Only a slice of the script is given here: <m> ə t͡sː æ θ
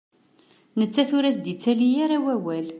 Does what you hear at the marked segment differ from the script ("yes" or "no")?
yes